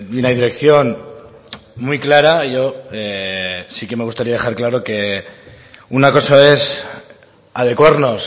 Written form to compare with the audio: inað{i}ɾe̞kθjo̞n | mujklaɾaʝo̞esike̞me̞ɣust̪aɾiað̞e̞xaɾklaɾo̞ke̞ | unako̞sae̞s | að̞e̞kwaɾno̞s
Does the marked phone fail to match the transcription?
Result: no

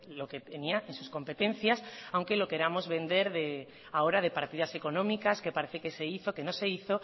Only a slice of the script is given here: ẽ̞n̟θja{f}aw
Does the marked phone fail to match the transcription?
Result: yes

